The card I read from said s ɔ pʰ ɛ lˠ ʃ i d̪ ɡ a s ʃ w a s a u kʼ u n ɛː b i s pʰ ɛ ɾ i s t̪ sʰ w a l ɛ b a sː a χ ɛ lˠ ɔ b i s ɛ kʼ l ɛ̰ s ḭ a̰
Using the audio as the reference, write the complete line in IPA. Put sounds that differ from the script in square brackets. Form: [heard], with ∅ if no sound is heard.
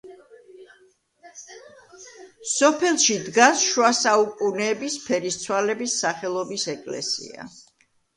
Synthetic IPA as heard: s ɔ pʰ ɛ lˠ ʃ i d̪ ɡ a s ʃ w a s a u kʼ u n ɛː b i s pʰ ɛ ɾ i s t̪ sʰ w a l ɛ b [i] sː a χ ɛ lˠ ɔ b i s ɛ kʼ l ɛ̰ s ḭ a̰